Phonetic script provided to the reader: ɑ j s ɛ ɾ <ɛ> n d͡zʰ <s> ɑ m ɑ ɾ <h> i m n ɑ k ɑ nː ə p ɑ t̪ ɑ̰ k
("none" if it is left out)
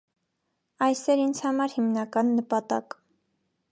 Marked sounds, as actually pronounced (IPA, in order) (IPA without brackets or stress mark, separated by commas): i, h, h